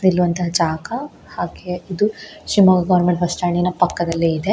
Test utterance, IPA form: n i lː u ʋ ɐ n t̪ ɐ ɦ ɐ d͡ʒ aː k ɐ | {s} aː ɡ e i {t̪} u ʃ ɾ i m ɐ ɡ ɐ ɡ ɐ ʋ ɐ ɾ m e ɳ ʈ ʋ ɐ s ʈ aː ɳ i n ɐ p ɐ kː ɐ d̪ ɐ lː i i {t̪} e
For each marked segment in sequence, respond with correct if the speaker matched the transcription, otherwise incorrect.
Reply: incorrect, incorrect, incorrect

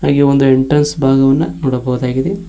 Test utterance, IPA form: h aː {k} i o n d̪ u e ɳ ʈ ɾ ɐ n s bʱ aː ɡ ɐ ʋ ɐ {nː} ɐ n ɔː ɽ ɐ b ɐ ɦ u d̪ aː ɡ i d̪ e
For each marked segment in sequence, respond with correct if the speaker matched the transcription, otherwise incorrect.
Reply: incorrect, correct

